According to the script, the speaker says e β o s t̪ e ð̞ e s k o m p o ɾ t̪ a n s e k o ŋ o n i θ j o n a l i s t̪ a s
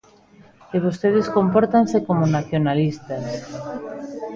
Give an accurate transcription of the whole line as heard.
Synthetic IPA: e β o s t̪ e ð̞ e s k o m p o ɾ t̪ a n s e k o m o n a θ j o n a l i s t̪ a s